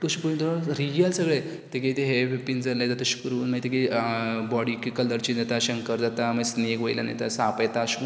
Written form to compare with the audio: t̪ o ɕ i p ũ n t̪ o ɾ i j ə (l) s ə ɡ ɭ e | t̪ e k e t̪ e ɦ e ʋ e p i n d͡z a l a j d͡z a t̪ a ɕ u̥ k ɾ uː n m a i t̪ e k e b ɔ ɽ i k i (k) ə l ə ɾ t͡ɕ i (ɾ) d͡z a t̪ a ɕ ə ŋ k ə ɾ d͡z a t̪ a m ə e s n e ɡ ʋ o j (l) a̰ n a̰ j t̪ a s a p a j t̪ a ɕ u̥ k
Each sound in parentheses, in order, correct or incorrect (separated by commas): correct, correct, incorrect, correct